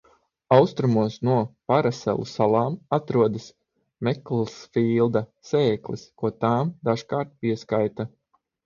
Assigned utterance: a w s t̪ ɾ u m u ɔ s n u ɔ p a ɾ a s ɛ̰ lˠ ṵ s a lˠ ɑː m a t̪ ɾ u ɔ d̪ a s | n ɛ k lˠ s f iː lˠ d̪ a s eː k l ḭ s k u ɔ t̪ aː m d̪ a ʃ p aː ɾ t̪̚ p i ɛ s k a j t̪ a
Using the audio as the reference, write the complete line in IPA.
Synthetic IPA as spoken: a w s t̪ ɾ u m u ɔ s n u ɔ p a ɾ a s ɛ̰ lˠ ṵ s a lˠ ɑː m a t̪ ɾ u ɔ d̪ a s | m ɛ k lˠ s f iː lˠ d̪ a s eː k l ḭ s k u ɔ t̪ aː m d̪ a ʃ k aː ɾ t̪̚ p i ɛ s k a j t̪ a